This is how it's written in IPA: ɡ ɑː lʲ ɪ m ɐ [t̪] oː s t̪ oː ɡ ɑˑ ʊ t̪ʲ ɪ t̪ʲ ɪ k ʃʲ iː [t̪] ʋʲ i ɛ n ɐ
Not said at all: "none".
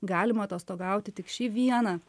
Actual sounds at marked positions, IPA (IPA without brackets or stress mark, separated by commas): t̪, none